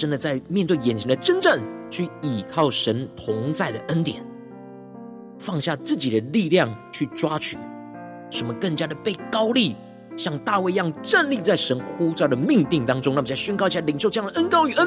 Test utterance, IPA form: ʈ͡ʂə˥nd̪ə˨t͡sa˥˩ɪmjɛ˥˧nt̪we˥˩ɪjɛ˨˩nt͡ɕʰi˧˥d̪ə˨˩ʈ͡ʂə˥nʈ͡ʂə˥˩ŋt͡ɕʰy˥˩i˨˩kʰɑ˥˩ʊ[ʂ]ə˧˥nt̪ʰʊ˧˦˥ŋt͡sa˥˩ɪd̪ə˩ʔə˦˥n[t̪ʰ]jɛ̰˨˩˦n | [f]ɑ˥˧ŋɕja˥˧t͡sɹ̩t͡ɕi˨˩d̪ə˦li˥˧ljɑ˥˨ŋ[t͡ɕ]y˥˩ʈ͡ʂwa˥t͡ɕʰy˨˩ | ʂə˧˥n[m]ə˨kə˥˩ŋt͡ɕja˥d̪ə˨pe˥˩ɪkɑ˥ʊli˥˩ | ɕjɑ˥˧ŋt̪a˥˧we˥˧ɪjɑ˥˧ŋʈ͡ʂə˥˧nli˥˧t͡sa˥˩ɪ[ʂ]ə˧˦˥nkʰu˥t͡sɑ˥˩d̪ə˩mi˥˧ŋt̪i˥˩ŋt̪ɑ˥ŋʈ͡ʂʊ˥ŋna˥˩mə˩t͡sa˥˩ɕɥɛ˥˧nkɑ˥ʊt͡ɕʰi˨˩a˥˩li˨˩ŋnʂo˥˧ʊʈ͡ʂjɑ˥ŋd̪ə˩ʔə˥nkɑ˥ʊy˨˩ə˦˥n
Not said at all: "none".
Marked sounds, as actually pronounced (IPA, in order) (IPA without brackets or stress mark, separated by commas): ʂ, t̪, f, t͡ɕʰ, m, ʂ